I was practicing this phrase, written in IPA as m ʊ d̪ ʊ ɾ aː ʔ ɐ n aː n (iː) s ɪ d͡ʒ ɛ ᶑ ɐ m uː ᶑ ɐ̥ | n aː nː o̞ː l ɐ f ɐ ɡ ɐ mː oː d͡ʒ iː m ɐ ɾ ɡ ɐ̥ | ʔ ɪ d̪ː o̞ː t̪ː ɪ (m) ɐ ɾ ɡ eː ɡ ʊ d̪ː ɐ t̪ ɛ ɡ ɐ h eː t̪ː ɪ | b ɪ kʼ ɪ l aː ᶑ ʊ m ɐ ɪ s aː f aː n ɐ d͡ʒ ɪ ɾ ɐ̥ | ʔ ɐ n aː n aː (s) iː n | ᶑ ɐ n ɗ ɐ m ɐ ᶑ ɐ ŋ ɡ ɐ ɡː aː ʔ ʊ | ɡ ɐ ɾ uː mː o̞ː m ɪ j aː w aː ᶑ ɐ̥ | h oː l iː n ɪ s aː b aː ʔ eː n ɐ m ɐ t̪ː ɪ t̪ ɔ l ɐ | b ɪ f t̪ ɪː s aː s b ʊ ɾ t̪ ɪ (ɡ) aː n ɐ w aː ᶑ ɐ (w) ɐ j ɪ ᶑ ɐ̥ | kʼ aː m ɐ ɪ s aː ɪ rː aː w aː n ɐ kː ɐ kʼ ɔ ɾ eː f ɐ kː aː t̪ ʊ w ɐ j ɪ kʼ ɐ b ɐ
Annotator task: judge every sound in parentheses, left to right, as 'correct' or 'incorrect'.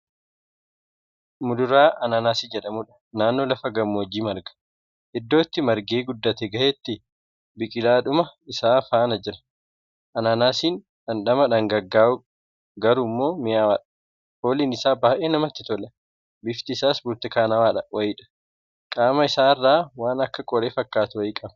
incorrect, correct, correct, incorrect, correct

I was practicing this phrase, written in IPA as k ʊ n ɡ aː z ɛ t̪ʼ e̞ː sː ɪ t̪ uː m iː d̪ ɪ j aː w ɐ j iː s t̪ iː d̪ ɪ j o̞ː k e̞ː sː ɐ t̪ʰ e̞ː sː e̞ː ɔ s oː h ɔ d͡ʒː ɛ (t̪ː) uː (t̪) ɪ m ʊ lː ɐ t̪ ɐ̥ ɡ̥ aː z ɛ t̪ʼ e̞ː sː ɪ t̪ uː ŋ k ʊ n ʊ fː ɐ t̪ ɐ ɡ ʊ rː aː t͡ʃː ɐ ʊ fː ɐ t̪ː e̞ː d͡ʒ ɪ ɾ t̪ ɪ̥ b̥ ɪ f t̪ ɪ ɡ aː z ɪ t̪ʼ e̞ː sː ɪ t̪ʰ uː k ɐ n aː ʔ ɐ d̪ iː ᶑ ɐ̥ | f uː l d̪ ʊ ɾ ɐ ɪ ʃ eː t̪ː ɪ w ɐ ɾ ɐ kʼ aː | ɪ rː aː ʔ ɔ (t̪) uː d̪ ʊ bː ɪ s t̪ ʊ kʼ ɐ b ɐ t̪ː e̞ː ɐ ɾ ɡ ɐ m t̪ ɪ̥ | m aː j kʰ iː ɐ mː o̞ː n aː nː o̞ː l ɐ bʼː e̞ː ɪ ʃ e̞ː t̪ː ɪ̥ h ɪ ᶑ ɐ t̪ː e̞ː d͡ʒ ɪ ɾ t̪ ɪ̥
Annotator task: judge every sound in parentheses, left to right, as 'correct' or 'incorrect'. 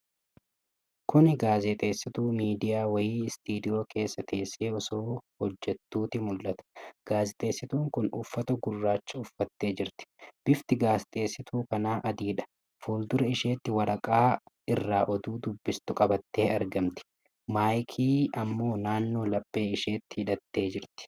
correct, correct, incorrect

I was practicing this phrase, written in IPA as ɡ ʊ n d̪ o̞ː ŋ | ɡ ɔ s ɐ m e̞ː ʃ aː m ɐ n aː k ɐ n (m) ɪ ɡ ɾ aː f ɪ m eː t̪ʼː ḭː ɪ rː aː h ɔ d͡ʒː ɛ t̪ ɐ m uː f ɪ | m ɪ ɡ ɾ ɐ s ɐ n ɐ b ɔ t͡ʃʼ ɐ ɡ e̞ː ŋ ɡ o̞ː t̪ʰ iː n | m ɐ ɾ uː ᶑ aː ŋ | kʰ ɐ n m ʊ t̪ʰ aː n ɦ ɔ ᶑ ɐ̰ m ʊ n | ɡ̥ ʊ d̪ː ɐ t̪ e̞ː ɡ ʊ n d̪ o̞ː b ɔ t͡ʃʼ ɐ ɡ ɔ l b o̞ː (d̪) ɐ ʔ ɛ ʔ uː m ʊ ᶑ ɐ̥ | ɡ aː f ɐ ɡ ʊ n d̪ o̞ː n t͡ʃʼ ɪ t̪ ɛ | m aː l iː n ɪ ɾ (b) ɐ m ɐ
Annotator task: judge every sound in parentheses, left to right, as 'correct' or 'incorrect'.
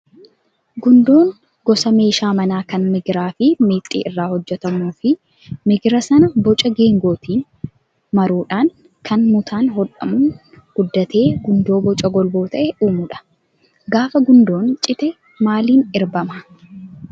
correct, incorrect, correct

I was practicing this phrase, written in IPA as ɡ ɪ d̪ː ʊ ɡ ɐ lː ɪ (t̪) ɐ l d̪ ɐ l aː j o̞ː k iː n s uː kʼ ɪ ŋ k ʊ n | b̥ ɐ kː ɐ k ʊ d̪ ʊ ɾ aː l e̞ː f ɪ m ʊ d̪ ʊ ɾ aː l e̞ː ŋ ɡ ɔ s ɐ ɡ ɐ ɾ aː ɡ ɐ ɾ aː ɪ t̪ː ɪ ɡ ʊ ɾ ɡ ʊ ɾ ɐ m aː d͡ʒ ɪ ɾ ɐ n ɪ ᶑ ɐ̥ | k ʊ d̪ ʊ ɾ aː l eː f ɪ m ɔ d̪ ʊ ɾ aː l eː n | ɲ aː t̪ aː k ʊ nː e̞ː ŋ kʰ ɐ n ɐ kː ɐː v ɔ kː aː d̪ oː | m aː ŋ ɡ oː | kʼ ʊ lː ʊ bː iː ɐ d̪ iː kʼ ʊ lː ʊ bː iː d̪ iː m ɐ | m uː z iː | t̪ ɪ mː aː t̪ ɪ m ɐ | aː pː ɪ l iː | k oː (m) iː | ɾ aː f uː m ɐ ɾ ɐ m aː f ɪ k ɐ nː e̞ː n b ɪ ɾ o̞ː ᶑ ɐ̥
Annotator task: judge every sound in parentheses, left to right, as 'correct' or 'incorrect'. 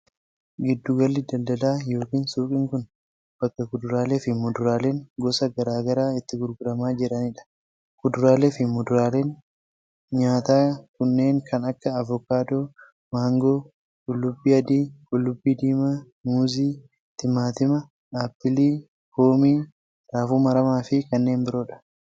incorrect, correct

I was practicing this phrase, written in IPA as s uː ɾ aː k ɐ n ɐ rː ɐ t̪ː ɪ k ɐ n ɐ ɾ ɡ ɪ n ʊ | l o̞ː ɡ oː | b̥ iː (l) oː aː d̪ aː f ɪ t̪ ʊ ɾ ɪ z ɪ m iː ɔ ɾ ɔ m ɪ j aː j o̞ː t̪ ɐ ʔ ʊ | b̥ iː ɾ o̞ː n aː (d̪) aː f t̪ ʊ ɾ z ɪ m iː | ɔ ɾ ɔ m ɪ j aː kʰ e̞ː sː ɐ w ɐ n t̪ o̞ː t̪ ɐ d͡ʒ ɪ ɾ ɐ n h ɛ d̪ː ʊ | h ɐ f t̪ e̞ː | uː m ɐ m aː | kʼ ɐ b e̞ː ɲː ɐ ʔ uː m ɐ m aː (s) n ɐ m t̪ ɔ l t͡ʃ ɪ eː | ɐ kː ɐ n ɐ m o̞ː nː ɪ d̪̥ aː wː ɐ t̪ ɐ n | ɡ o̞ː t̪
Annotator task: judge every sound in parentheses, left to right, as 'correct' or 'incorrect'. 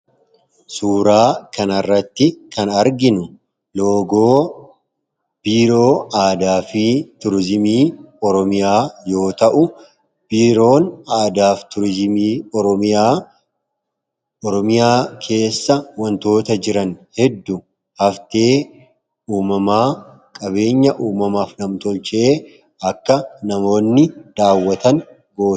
incorrect, correct, incorrect

